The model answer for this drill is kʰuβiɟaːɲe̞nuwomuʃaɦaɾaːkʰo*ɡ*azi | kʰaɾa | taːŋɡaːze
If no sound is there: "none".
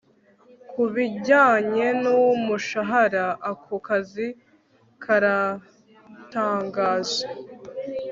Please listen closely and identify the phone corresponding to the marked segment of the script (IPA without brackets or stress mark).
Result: k